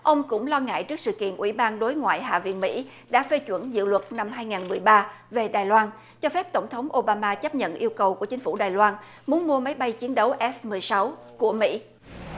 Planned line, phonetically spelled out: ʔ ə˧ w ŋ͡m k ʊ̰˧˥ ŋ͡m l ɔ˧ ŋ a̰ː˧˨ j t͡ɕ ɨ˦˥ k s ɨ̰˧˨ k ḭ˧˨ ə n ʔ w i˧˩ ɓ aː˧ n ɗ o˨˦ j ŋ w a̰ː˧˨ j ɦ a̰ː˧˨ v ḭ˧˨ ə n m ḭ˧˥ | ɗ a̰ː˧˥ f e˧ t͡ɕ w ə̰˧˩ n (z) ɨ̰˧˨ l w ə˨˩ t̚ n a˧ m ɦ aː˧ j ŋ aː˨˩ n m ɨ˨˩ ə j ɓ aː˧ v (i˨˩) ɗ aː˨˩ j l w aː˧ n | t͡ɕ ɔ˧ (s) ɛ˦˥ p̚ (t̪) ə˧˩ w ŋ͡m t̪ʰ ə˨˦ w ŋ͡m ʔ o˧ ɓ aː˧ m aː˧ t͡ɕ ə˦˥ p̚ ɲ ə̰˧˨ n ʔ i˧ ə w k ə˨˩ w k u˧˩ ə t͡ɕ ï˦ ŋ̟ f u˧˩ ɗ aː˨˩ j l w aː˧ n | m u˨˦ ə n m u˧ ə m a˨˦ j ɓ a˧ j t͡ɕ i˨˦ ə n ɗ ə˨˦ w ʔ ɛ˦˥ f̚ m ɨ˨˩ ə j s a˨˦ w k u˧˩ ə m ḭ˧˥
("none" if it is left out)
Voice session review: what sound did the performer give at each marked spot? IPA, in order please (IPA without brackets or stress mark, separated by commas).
z, e˨˩, f, t̪